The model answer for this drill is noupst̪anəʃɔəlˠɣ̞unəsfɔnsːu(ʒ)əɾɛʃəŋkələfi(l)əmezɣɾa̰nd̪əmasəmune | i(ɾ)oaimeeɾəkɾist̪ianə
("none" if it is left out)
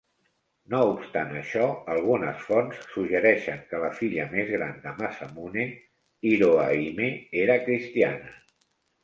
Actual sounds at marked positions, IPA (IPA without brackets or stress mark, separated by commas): ʒ, ʎ, ɾ